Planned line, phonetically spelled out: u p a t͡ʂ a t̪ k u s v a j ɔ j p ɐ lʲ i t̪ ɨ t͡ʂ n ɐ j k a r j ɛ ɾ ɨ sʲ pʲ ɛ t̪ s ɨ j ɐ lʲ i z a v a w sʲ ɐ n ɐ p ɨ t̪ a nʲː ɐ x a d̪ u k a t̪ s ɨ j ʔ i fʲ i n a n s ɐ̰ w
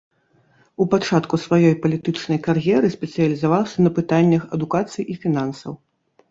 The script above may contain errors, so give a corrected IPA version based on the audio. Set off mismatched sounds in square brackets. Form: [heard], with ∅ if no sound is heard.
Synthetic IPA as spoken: u p a t͡ʂ a t̪ k u s v a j ɔ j p ɐ lʲ i t̪ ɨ t͡ʂ n ɐ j k a r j ɛ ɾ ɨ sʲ pʲ ɛ t̪ s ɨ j ɐ lʲ i z a v a w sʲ ɐ n ɐ p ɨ t̪ a nʲː ɐ x [ɐ] d̪ u k a t̪ s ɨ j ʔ i fʲ i n a n s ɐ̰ w